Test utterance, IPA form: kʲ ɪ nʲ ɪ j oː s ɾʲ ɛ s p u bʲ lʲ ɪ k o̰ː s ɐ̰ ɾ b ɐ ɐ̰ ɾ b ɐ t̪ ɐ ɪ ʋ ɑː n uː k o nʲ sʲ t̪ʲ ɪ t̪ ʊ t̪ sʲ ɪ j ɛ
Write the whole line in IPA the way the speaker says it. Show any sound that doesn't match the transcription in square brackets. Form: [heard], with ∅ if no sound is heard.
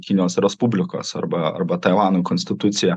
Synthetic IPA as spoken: kʲ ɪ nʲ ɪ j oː s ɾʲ ɛ s p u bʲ lʲ ɪ k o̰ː s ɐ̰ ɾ b ɐ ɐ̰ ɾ b ɐ t̪ ɐ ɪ ʋ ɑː n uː k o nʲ sʲ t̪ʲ ɪ t̪ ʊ t̪ sʲ ɪ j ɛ